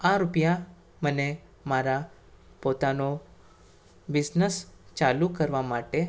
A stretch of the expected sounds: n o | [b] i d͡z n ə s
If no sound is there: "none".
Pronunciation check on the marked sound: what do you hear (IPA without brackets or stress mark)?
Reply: b